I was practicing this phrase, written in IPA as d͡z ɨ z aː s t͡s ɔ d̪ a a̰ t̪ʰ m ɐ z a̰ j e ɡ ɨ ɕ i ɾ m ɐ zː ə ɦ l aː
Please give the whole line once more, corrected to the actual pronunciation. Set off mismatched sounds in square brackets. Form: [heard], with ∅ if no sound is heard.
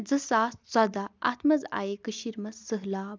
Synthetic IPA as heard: d͡z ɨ [s] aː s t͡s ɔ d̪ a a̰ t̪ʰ m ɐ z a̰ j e [k] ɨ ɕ i ɾ m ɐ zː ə ɦ l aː